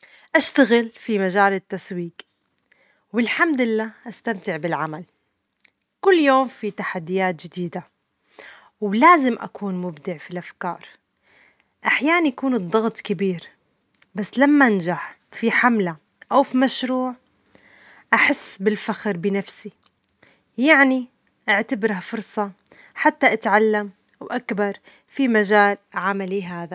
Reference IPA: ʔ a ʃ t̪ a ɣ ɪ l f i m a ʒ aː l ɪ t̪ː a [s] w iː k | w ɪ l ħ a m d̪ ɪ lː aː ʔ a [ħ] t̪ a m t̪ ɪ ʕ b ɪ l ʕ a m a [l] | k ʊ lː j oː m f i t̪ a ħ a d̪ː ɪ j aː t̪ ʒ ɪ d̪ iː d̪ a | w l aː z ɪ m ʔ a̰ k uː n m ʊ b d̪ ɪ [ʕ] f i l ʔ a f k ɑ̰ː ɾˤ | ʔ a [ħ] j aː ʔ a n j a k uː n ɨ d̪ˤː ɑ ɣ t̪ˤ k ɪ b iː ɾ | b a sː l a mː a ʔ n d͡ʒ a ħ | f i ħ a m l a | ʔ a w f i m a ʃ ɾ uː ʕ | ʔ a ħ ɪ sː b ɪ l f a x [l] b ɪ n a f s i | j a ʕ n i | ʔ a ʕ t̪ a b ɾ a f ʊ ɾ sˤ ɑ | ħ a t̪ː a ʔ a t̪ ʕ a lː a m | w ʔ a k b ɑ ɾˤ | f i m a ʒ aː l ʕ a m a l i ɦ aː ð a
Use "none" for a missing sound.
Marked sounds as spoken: s, s, l, ʕ, ħ, ɾ

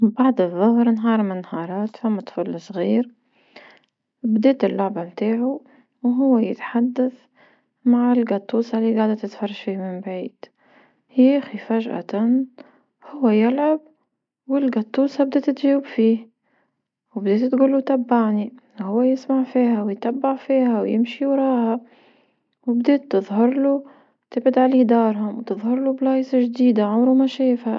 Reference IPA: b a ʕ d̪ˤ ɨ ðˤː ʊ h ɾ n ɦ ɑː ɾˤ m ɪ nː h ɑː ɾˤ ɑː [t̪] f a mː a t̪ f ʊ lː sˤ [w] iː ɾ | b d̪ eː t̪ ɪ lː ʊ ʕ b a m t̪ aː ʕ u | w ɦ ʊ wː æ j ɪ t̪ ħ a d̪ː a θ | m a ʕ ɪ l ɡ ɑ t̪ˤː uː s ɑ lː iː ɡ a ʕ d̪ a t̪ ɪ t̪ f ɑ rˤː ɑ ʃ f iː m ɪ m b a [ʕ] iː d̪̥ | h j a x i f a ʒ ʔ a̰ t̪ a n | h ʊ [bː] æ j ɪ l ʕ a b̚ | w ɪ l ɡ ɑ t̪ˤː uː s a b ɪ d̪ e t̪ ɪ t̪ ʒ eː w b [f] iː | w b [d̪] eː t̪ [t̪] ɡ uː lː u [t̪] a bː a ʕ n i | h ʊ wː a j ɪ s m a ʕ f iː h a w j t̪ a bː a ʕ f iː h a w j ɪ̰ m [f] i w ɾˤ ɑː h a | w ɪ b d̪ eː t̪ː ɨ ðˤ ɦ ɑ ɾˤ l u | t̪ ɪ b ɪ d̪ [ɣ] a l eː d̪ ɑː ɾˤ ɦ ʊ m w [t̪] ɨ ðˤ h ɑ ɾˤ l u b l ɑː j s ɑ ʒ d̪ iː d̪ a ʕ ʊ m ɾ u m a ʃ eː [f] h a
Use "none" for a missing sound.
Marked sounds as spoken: t̪, ɣ, ʕ, wː, f, d̪, t̪, t̪, ʃ, ʕ, t̪, f

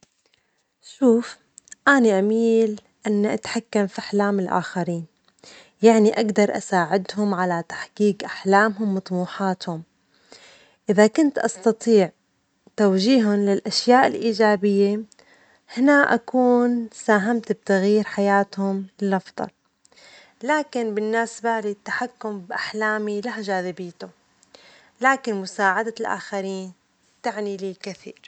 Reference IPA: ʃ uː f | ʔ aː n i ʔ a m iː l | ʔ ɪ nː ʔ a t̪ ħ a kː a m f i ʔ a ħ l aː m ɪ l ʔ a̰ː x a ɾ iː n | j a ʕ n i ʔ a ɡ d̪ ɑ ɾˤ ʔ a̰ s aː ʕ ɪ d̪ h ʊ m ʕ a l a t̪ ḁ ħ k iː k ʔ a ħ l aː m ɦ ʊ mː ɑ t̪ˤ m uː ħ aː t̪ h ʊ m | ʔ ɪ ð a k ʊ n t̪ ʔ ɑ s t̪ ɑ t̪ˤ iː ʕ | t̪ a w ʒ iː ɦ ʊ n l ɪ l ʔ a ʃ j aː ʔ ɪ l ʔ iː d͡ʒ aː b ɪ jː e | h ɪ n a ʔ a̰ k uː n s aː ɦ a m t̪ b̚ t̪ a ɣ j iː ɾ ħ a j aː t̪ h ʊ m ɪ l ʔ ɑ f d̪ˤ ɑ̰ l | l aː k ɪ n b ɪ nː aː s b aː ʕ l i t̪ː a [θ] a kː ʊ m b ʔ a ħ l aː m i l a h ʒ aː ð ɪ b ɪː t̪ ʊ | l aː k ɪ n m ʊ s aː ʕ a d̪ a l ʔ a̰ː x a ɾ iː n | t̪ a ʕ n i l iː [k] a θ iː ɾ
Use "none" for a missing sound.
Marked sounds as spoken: ħ, k

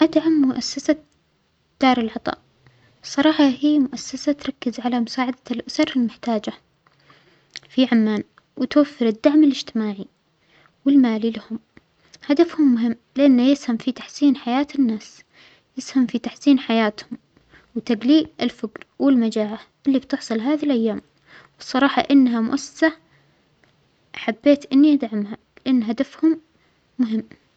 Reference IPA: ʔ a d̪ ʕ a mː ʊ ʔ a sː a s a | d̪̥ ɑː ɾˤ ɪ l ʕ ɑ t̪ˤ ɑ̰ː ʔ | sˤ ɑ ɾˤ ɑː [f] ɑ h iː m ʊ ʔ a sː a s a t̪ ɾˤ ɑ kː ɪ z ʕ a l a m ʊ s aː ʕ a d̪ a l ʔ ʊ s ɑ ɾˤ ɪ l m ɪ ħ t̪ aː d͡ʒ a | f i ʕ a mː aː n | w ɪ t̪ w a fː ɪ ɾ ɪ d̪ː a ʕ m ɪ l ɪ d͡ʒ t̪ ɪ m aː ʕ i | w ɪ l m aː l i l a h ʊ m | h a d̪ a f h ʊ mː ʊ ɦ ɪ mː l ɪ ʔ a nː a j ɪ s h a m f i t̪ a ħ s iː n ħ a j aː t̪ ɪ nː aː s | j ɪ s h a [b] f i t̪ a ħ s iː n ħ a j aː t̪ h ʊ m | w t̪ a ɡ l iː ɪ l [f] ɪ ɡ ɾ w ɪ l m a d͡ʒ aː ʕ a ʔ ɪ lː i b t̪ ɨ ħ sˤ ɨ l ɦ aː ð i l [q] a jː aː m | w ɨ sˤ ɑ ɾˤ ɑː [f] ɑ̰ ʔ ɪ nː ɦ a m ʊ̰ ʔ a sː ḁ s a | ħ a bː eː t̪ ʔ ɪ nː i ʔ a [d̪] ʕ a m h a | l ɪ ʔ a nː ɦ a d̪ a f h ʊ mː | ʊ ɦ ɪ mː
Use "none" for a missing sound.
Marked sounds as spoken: ħ, m, f, ʔ, ħ, d̪

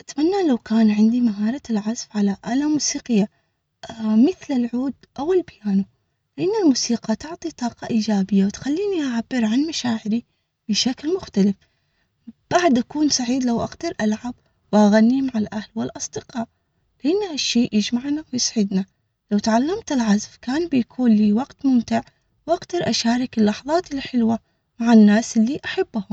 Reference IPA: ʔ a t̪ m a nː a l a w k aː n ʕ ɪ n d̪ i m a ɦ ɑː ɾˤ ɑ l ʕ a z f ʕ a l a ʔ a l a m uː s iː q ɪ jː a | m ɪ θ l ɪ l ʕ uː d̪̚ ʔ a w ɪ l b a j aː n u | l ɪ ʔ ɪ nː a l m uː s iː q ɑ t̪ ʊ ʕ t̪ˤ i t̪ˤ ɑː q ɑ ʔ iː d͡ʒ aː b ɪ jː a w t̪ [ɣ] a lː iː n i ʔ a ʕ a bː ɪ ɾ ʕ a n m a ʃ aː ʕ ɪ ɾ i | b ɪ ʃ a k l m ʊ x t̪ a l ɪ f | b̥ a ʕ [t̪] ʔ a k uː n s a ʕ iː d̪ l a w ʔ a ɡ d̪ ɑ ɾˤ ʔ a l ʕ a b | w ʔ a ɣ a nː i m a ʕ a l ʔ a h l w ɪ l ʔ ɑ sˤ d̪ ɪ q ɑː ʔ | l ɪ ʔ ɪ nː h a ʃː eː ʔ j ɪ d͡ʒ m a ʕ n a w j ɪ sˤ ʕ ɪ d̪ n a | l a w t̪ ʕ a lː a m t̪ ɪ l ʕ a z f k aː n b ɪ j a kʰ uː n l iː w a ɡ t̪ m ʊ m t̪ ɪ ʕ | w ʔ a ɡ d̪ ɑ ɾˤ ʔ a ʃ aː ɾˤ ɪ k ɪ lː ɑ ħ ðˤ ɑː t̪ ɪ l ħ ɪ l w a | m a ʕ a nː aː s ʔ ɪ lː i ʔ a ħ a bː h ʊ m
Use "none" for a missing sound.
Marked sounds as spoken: x, d̪

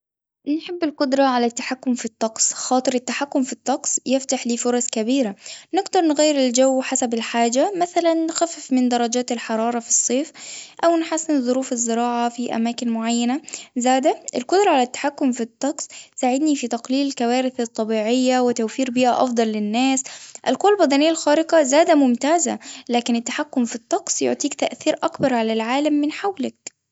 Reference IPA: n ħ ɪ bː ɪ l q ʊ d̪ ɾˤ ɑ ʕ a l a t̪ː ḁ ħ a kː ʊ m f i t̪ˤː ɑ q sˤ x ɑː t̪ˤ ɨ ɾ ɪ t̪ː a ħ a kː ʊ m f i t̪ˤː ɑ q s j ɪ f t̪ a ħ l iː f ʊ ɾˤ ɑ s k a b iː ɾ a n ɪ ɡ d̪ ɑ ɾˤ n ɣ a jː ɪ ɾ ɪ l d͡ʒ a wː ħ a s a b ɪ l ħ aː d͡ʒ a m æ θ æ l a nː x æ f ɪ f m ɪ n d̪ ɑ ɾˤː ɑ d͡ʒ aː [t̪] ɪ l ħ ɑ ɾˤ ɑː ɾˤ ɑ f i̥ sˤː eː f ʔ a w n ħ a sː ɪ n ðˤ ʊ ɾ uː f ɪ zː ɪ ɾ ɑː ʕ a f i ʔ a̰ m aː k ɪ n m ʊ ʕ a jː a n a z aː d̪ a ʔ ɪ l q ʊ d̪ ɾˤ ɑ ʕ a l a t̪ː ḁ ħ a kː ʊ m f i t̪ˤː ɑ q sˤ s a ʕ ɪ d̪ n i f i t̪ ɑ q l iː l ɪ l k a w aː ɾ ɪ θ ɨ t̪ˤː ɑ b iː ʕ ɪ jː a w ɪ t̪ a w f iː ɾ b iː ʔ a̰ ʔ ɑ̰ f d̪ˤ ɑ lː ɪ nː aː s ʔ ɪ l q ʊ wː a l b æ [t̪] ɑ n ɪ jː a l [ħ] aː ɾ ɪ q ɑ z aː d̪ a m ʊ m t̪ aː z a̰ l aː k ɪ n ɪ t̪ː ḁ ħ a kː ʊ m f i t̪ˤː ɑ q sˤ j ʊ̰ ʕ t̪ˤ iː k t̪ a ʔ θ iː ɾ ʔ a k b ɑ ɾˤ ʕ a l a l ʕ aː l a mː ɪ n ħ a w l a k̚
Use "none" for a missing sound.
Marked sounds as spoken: t̪, d̪, x

